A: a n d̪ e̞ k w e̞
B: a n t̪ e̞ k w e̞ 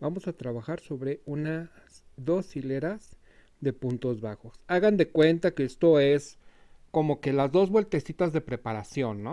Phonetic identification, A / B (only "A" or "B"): A